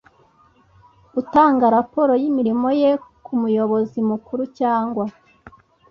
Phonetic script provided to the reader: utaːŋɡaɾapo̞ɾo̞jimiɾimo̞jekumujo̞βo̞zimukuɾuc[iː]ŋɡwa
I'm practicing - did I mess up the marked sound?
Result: yes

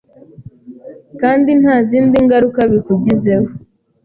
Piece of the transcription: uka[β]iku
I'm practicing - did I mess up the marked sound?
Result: no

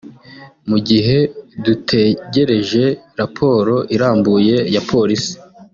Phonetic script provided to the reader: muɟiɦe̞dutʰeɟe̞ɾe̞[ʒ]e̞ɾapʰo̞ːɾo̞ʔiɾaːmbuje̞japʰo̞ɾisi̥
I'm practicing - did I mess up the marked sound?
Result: no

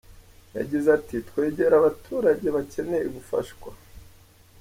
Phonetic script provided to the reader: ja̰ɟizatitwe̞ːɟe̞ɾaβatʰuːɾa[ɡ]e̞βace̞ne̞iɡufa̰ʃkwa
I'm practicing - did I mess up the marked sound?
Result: yes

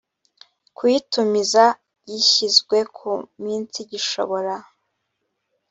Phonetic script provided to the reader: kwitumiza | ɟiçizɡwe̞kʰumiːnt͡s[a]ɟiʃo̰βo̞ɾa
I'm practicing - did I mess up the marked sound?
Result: yes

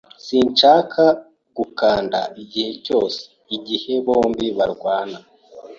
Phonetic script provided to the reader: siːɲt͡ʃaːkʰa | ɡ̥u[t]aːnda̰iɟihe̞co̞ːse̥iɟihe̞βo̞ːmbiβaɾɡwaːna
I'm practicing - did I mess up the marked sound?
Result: yes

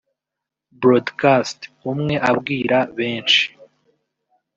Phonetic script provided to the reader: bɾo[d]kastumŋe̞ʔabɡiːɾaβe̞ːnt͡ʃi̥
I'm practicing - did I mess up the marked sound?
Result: no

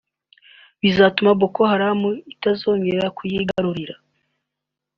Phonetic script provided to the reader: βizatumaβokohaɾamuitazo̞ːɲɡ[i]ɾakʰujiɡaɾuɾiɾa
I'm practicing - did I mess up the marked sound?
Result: yes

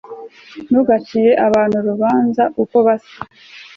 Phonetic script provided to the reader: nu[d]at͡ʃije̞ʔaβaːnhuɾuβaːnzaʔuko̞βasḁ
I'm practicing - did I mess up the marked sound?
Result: yes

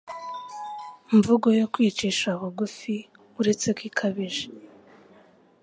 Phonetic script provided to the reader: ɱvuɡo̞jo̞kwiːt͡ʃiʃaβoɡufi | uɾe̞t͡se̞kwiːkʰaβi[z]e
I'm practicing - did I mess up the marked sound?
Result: yes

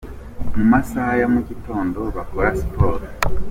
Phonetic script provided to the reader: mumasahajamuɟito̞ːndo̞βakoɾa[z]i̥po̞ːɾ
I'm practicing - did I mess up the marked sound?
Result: yes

